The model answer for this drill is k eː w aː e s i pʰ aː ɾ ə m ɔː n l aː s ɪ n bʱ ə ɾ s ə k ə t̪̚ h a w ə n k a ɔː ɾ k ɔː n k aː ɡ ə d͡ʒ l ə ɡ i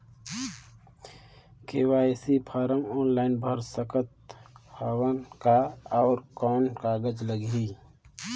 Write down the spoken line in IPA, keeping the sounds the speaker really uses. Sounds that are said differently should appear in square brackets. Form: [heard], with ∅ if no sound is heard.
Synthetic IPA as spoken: k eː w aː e s i pʰ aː ɾ ə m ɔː n l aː [∅] ɪ n bʱ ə ɾ s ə k ə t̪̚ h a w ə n k a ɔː ɾ k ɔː n k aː ɡ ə d͡ʒ l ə ɡ i